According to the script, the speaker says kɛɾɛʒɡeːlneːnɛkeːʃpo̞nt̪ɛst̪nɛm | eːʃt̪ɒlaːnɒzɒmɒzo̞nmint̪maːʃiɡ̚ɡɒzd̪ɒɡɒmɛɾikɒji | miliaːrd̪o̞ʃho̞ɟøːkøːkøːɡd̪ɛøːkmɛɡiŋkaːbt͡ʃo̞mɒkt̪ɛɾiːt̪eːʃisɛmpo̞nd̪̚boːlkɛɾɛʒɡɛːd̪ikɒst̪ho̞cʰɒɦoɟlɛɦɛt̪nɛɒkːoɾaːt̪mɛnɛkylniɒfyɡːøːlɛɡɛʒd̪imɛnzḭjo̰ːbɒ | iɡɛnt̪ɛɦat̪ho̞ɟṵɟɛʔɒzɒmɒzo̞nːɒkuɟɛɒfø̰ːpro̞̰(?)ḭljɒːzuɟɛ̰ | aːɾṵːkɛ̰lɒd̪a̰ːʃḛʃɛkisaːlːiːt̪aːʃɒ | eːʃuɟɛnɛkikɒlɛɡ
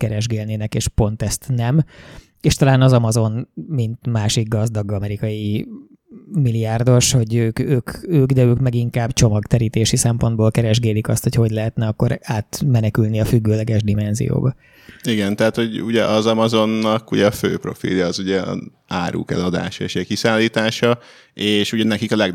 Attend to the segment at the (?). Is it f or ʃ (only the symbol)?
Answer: f